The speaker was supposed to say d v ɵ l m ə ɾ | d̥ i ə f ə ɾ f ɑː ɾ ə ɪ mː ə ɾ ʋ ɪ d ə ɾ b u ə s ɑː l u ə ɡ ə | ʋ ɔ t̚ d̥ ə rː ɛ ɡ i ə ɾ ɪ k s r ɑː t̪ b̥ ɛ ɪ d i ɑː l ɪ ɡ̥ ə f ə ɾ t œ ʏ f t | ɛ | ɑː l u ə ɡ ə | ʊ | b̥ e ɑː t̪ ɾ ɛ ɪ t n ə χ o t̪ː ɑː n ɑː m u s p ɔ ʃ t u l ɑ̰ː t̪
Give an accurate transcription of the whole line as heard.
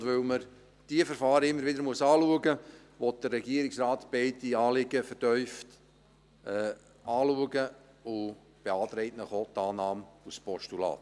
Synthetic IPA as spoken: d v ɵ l m ə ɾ | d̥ i ə f ə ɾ f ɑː ɾ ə ɪ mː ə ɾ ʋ ɪ d ə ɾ m u ə s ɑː l u ə ɡ ə | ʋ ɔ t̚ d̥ ə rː ɛ ɡ i ə ɾ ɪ k s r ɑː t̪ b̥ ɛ ɪ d i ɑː l ɪ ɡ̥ ə f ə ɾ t œ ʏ f t | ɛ | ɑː l u ə ɡ ə | ʊ | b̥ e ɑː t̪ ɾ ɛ ɪ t n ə χ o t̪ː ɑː n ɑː m u s p ɔ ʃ t u l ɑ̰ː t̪